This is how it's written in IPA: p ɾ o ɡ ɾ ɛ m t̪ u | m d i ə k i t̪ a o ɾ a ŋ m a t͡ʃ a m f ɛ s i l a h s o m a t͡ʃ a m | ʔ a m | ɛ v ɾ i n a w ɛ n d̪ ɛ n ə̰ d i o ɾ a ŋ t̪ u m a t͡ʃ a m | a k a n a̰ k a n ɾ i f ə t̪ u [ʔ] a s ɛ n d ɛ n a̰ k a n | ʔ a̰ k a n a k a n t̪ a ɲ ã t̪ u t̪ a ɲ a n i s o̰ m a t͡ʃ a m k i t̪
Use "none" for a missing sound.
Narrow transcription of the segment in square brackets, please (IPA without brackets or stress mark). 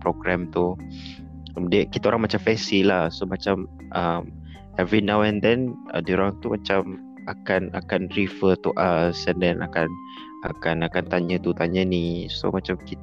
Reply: ʔ